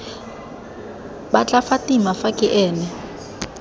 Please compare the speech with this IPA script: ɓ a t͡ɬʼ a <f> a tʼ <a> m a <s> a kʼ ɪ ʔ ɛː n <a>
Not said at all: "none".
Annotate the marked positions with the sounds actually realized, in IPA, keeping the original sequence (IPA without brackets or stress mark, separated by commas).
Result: f, i, f, ɛ